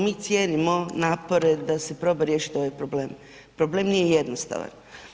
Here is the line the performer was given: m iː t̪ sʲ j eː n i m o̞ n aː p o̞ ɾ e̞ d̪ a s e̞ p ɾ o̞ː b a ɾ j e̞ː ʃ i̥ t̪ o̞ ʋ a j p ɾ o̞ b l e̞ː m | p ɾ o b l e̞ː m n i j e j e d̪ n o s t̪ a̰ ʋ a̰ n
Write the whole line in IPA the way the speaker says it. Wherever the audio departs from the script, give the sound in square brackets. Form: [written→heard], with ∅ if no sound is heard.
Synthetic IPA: m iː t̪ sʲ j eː n i m o̞ n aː p o̞ ɾ e̞ d̪ a s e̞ p ɾ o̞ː b a ɾ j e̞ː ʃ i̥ t̪ o̞ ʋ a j p ɾ o̞ b l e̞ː m | p ɾ o b l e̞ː m n i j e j e d̪ n o s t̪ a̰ ʋ a̰ n